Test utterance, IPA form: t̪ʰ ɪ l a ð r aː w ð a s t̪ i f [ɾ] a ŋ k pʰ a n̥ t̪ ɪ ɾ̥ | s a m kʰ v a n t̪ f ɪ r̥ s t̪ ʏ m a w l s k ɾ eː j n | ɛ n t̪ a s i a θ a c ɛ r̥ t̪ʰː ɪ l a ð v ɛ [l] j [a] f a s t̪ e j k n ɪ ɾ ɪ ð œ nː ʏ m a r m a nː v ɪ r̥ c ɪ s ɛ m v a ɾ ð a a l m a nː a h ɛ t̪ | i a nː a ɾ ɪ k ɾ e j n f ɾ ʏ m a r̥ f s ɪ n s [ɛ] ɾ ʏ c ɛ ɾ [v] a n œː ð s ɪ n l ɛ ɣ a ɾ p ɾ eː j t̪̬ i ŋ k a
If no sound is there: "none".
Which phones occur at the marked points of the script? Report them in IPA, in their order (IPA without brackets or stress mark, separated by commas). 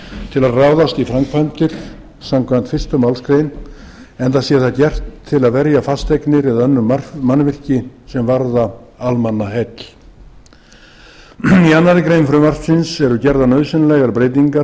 ɾ, ɾ, a, ɛ, ð